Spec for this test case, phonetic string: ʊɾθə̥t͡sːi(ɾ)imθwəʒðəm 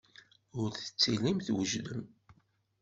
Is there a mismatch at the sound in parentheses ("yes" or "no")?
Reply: yes